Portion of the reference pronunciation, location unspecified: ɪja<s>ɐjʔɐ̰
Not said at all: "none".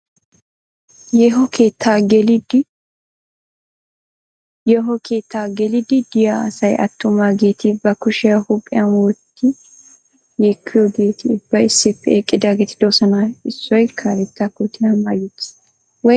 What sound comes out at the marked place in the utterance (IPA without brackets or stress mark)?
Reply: s